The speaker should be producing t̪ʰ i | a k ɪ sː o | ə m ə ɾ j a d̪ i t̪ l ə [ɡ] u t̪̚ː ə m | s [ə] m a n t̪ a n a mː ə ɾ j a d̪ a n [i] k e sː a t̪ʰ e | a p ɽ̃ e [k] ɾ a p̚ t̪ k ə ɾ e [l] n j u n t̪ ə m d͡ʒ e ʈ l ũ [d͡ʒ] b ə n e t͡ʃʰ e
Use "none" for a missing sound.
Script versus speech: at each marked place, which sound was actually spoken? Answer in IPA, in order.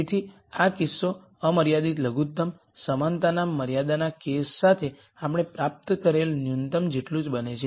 ɡ, ə, a, p, l, d͡ʒ

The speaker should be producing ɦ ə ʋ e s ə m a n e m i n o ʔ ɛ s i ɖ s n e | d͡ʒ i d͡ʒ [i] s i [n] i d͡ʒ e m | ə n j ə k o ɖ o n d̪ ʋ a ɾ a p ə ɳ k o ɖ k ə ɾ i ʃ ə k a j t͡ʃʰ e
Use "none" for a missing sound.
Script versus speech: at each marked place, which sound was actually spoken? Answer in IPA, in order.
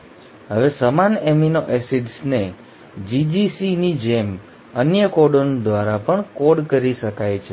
i, n

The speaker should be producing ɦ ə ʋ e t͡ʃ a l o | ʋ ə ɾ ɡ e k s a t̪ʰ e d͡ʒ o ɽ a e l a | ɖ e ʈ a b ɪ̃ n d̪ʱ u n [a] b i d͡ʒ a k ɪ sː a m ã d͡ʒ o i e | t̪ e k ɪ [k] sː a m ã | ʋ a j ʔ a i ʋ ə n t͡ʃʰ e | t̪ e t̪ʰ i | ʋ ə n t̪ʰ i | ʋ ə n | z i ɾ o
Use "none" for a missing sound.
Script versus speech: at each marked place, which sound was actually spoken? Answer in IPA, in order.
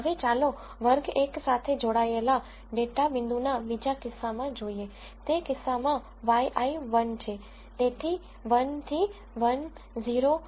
a, none

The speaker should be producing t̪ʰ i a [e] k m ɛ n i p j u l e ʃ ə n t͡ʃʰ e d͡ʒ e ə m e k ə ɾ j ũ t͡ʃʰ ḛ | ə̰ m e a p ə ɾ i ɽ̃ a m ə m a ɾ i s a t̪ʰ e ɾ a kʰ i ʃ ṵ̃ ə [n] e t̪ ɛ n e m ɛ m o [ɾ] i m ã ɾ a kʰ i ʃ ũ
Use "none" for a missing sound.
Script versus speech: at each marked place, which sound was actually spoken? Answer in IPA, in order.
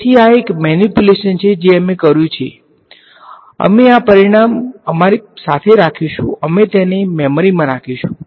e, m, ɾ

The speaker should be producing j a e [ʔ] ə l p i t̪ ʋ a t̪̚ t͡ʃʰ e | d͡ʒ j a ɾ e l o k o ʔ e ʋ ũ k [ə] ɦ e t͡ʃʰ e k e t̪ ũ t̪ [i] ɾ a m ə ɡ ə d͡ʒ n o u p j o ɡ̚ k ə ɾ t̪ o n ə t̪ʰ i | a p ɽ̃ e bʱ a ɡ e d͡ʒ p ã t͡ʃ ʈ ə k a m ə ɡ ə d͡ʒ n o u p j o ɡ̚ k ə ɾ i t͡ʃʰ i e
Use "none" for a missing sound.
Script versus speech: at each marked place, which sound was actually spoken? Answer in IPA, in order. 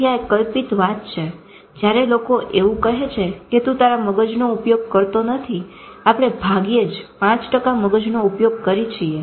k, ə, a

